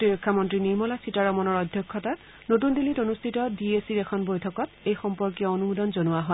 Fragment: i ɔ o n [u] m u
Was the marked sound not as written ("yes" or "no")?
no